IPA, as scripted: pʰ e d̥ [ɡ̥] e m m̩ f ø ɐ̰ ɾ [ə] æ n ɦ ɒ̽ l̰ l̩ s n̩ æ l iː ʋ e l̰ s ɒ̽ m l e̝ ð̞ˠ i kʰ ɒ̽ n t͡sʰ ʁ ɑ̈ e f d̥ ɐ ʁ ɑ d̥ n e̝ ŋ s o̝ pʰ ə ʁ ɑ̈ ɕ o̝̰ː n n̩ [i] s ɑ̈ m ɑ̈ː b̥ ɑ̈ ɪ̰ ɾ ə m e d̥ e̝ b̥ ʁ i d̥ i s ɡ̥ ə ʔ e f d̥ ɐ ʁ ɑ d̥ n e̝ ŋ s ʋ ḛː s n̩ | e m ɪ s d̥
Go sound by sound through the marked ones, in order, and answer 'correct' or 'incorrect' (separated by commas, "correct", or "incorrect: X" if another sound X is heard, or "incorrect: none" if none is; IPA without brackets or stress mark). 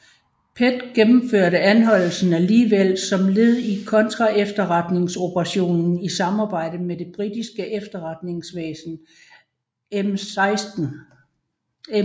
correct, correct, correct